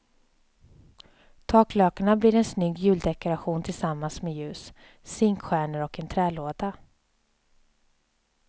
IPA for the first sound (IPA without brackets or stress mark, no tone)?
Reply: t̪ʰ